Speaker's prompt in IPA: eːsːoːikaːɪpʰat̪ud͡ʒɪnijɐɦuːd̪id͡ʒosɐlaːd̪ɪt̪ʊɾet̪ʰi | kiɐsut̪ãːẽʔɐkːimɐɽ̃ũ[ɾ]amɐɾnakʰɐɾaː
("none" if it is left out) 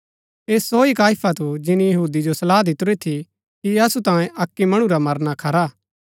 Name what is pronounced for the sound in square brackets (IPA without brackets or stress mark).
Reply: ɾ